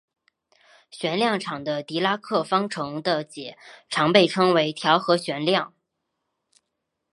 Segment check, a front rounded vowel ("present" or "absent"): absent